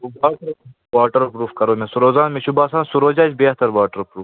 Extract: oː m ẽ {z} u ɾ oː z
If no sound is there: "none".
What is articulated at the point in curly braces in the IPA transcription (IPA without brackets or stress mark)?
s